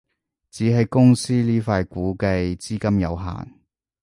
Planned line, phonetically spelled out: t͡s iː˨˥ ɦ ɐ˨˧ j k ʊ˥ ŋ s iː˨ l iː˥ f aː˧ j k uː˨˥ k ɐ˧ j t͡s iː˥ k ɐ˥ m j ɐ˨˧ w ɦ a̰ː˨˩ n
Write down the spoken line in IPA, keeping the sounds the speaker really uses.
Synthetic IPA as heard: t͡s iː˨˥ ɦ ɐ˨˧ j k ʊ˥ ŋ s iː˥ l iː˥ f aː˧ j k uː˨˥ k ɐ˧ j t͡s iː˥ k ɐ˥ m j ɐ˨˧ w ɦ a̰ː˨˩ n